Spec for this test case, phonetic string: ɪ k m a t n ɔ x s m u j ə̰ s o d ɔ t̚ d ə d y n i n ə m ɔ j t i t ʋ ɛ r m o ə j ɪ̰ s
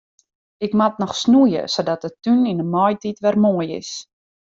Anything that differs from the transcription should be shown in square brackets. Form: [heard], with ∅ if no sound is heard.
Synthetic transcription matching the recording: ɪ k m a t n ɔ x s [n] u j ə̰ s o d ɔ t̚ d ə [t] y n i n ə m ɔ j t i t ʋ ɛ r m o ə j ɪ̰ s